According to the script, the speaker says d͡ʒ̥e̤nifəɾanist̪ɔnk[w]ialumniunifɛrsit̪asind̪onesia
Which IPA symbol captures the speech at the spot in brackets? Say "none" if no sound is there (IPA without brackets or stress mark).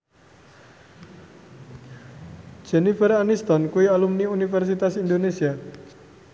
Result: u